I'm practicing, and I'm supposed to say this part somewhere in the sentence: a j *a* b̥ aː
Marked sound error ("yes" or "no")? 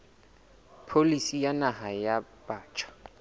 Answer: no